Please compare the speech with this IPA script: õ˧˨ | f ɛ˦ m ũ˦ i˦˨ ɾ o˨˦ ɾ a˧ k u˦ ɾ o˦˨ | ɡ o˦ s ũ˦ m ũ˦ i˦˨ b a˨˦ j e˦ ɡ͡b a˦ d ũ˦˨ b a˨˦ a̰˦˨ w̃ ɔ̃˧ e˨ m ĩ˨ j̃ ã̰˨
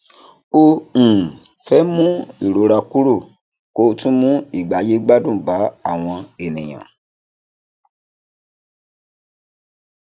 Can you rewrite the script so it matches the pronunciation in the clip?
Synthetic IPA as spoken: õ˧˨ | f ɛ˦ m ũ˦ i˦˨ ɾ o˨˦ ɾ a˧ k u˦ ɾ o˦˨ | k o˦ t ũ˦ m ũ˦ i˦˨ ɡ͡b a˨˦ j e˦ ɡ͡b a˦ d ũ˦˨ b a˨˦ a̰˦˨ w̃ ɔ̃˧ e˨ n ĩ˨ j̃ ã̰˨